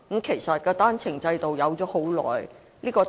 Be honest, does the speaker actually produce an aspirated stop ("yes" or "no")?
yes